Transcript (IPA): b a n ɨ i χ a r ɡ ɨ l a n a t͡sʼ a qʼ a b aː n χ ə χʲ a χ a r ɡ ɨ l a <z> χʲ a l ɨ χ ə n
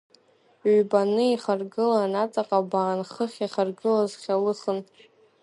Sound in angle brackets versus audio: correct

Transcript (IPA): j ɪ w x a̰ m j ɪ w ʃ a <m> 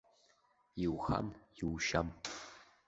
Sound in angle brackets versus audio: correct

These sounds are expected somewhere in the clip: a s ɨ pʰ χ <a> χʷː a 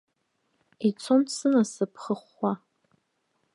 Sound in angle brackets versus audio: incorrect: ə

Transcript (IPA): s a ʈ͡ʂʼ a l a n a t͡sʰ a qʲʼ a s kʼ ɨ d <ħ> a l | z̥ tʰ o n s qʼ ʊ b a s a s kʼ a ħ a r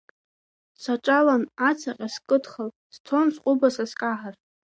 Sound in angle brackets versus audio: incorrect: χ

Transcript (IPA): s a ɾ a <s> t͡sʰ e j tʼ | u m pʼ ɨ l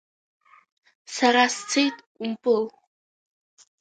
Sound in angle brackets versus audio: correct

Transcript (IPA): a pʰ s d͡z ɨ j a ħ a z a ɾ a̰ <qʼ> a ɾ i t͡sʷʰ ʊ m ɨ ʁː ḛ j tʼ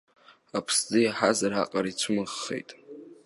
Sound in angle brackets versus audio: correct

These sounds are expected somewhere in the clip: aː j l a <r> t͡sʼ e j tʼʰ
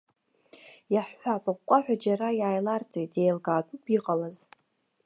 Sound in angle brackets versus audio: correct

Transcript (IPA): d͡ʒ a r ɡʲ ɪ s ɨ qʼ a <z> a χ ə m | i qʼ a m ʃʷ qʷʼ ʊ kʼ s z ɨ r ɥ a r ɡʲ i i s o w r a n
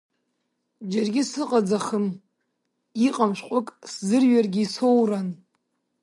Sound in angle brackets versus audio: incorrect: d͡z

